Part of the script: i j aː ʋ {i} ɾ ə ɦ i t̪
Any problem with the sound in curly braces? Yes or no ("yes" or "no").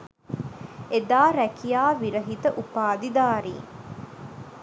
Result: no